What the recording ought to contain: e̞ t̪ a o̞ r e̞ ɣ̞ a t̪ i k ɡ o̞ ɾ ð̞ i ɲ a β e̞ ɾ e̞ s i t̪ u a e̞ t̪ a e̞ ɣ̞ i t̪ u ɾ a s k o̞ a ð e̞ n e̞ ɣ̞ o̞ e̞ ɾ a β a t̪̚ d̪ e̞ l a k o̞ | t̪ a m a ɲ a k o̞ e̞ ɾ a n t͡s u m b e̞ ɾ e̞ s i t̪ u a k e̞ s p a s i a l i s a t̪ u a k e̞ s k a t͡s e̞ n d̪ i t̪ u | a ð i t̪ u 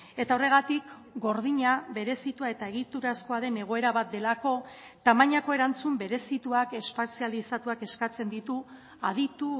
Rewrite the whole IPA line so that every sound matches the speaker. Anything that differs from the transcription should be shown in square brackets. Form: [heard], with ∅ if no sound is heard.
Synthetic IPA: e̞ t̪ a o̞ r e̞ ɣ̞ a t̪ i k ɡ o̞ ɾ ð̞ i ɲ a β e̞ ɾ e̞ s i t̪ u a e̞ t̪ a e̞ ɣ̞ i t̪ u ɾ a s k o̞ a ð e̞ n e̞ ɣ̞ o̞ e̞ ɾ a β a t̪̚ d̪ e̞ l a k o̞ | t̪ a m a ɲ a k o̞ e̞ ɾ a n t͡s u m b e̞ ɾ e̞ s i t̪ u a k e̞ s p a s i a l i s a t̪ u a k e̞ s k a t͡s e̞ n d̪ i t̪ u | a ð i t̪ u